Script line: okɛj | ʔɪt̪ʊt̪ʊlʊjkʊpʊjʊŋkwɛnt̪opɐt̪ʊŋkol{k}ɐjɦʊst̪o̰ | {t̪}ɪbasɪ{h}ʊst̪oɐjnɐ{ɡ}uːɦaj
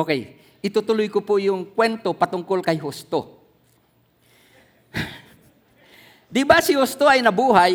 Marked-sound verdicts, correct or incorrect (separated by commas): correct, incorrect, correct, incorrect